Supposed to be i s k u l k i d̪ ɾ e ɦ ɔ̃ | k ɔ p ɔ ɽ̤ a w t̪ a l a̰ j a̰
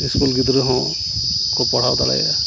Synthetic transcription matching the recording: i s k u l ɡ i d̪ ɾ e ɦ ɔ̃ | k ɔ p ɔ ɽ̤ a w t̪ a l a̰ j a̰

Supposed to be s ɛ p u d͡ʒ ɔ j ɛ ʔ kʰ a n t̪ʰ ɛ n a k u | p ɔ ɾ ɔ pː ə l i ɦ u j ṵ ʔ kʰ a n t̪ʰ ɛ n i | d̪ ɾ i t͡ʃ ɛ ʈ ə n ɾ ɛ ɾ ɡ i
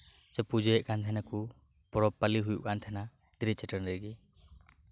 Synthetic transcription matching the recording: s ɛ p u d͡ʒ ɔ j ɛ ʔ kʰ a n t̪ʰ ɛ n a k u | p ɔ ɾ ɔ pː a l i ɦ u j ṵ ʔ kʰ a n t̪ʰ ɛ n a | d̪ ɾ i t͡ʃ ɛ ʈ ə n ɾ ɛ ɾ ɡ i

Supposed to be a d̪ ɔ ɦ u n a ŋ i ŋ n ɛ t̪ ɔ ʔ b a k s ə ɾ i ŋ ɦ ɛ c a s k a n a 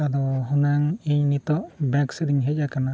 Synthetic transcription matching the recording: a d̪ ɔ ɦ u n a ŋ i ɲ n i t̪ ɔ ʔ b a k s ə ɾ i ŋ ɦ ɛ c a k a n a

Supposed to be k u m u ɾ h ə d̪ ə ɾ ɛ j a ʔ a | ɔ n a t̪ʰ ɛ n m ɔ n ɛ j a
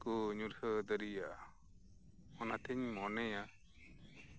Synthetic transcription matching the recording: k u ɲ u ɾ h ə d̪ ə ɾ i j a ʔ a | ɔ n a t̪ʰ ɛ ɲ m ɔ n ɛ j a

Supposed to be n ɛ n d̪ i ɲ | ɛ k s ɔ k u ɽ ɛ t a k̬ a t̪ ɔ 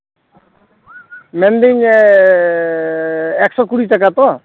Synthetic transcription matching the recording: m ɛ n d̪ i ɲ | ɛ k s ɔ k u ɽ i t a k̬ a t̪ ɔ

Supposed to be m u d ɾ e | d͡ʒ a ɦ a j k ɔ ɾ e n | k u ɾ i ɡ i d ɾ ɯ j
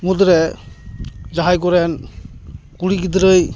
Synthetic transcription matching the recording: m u d ɾ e | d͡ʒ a ɦ a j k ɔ ɾ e n | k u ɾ i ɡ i d ɾ ɯ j

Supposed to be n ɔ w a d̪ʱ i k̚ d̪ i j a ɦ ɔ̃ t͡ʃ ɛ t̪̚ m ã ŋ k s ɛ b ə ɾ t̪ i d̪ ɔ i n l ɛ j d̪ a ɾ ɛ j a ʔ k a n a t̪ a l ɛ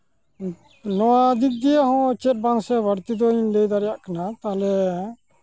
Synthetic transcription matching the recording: n ɔ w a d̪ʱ i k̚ d̪ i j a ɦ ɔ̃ t͡ʃ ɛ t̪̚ b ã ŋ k s ɛ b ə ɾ t̪ i d̪ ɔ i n l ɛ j d̪ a ɾ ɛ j a ʔ k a n a t̪ a l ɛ

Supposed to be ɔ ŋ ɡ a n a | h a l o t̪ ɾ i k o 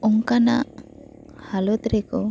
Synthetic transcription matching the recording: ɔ ŋ k a n a | h a l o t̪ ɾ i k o

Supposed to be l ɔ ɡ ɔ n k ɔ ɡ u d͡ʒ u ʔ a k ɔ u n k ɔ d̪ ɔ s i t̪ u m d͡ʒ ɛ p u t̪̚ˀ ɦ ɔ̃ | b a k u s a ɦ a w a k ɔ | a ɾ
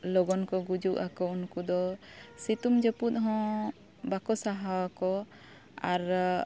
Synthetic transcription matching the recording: l ɔ ɡ ɔ n k ɔ ɡ u d͡ʒ u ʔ a k ɔ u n k u d̪ ɔ s i t̪ u m d͡ʒ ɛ p u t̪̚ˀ ɦ ɔ̃ | b a k ɔ s a ɦ a w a k ɔ | a ɾ

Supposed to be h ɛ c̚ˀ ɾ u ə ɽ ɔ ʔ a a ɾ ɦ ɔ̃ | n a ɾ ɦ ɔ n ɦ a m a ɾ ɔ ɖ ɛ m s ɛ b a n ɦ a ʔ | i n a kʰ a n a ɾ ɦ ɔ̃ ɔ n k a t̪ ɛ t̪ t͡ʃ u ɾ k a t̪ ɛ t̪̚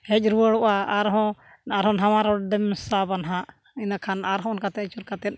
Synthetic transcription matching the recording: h ɛ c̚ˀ ɾ u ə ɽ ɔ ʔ a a ɾ ɦ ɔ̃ | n a ɾ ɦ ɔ n ɦ a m a ɾ ɔ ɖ ɛ m s a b a n ɦ a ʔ | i n a kʰ a n a ɾ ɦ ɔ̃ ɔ n k a t̪ ɛ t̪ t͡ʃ u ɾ k a t̪ ɛ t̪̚

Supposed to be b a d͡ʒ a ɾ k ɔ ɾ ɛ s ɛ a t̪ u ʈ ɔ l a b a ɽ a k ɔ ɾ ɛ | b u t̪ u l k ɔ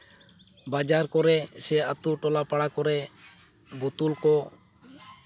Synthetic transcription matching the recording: b a d͡ʒ a ɾ k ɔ ɾ ɛ s ɛ a t̪ u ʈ ɔ l a p a ɽ a k ɔ ɾ ɛ | b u t̪ u l k ɔ

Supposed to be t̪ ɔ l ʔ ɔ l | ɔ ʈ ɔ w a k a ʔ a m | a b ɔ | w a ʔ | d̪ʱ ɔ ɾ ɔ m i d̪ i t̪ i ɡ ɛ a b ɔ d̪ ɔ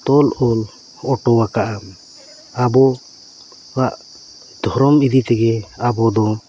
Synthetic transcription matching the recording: t̪ ɔ l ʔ ɔ l | ɔ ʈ ɔ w a k a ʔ a m | a b ɔ | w a ʔ | d̪ʱ ɔ ɾ ɔ m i d̪ i t̪ ɛ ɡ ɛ a b ɔ d̪ ɔ

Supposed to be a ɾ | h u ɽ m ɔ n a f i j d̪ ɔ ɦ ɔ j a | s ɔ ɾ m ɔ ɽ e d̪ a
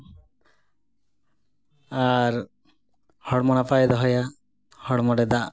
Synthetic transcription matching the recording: a ɾ | h ɔ ɽ m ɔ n a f a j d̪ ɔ ɦ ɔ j a | h ɔ ɽ m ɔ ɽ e d̪ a

